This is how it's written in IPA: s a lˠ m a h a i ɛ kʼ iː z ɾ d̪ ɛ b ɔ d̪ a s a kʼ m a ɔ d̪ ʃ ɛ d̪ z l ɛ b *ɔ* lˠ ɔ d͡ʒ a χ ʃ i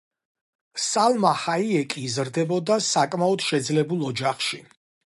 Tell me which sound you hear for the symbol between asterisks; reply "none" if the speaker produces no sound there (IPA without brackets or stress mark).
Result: u